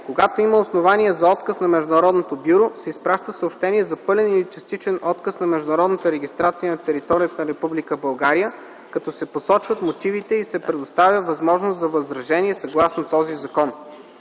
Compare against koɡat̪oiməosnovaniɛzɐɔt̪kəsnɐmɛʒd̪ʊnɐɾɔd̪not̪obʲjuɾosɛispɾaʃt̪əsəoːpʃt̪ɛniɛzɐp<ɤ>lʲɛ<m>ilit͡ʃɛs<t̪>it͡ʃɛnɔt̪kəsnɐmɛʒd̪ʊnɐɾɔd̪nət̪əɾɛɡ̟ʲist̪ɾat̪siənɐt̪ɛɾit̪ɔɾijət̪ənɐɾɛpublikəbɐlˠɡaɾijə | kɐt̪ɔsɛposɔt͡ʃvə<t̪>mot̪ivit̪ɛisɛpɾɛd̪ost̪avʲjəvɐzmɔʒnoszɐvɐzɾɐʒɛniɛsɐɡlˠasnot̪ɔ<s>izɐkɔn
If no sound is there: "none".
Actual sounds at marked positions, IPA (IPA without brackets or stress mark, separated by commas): ɤ, n, t̪, t̪, z